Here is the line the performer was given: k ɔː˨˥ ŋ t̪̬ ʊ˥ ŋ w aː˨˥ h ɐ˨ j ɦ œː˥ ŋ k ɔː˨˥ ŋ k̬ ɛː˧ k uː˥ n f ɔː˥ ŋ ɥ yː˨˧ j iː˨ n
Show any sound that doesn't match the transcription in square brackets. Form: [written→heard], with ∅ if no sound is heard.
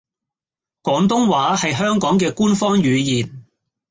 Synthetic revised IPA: k ɔː˨˥ ŋ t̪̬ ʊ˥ ŋ w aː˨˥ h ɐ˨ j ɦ œː˥ ŋ k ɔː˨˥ ŋ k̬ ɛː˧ k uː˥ n f ɔː˥ ŋ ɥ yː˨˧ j iː˨ n